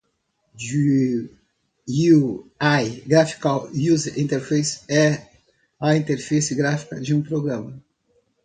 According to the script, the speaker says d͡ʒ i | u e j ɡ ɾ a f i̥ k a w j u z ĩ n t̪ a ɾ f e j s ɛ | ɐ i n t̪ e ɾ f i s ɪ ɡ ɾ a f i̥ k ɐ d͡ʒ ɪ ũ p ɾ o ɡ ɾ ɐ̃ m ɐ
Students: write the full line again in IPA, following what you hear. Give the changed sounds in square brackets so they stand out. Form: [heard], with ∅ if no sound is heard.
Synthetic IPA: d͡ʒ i | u [a] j ɡ ɾ a f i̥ k a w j u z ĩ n t̪ [e] ɾ f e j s ɛ | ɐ [ĩ] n t̪ e ɾ f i s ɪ ɡ ɾ a f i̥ k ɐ d͡ʒ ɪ ũ p ɾ o ɡ ɾ ɐ̃ m ɐ